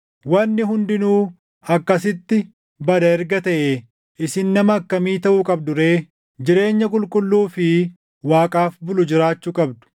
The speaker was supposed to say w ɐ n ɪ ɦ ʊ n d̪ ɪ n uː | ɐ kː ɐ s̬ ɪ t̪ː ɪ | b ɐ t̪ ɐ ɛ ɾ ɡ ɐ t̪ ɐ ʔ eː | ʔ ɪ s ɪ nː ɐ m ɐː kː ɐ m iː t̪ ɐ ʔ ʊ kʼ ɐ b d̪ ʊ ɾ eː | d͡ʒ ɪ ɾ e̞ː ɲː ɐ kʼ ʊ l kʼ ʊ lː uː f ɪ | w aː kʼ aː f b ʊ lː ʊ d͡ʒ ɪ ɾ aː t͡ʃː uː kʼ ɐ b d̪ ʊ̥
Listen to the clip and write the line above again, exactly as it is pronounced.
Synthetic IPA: w ɐ nː ɪ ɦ ʊ n d̪ ɪ n uː | ɐ kː ɐ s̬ ɪ t̪ː ɪ | b ɐ d̪ ɐ ɛ ɾ ɡ ɐ t̪ ɐ ʔ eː | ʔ ɪ s ɪ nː ɐ m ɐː kː ɐ m iː t̪ ɐ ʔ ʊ kʼ ɐ b d̪ ʊ ɾ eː | d͡ʒ ɪ ɾ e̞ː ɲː ɐ kʼ ʊ l kʼ ʊ lː uː f ɪ | w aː kʼ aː f b ʊ l ʊ d͡ʒ ɪ ɾ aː t͡ʃː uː kʼ ɐ b d̪ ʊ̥